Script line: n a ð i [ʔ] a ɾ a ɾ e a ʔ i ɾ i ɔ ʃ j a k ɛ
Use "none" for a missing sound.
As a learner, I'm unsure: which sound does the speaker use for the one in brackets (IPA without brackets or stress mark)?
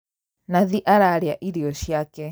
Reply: ʔ